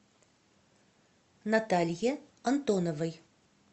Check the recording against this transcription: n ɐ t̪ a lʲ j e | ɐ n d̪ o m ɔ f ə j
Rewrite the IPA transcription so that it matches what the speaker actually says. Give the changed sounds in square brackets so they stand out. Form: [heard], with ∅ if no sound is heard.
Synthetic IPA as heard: n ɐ t̪ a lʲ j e | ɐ n [t̪] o [n] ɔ [v] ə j